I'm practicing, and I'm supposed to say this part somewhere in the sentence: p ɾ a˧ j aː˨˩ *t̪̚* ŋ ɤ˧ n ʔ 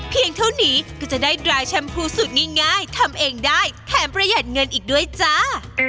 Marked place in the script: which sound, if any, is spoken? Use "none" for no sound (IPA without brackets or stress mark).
t̪̚